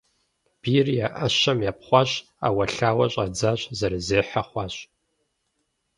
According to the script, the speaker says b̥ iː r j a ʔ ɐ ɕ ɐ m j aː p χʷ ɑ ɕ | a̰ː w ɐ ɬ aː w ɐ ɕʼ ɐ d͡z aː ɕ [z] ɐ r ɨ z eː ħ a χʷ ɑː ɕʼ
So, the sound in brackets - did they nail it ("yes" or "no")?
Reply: yes